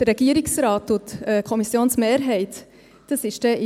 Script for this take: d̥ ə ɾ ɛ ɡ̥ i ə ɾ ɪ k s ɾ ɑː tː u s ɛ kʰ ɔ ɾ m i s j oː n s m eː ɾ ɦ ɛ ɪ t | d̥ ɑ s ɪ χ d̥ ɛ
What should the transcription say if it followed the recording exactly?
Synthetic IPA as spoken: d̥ ə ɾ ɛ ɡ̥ i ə ɾ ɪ k s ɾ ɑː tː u t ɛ kʰ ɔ m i s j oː n s m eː ɾ ɦ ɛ ɪ t | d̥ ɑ s ɪ ʃ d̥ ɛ